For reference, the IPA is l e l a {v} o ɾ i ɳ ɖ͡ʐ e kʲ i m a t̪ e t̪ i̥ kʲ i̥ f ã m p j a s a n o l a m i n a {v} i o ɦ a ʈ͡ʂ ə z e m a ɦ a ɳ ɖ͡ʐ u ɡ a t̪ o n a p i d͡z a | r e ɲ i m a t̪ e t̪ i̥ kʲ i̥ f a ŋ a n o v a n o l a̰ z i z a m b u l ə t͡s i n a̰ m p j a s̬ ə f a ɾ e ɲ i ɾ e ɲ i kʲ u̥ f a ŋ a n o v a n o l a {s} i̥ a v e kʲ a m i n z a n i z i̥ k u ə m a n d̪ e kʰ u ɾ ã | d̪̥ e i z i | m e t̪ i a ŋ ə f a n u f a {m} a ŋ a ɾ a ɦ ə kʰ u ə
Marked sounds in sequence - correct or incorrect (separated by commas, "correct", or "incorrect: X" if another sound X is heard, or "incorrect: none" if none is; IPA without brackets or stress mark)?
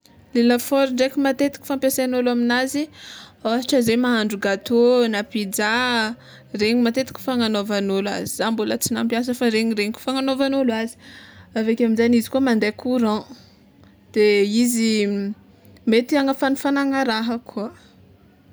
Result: incorrect: f, incorrect: z, incorrect: z, incorrect: n